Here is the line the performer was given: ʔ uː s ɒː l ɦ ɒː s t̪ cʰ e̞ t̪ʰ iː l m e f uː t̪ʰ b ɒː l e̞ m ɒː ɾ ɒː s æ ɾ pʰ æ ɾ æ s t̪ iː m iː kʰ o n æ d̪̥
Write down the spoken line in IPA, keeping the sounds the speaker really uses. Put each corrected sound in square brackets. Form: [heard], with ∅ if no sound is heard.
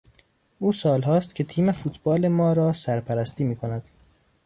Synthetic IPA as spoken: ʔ uː s ɒː l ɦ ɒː s t̪ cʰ e̞ t̪ʰ iː [∅] m e f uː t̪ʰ b ɒː l e̞ m ɒː ɾ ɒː s æ ɾ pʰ æ ɾ æ s t̪ iː m iː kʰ o n æ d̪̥